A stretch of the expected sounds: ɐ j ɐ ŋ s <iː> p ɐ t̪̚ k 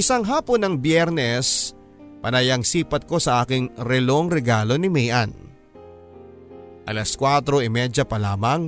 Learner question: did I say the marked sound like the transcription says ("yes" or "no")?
yes